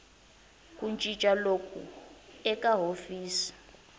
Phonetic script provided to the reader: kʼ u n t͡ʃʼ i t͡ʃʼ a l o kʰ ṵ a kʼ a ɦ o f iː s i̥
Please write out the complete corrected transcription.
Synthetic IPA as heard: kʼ u n t͡ʃʼ i t͡ʃʼ a l o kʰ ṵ ɛ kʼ a ɦ o f iː s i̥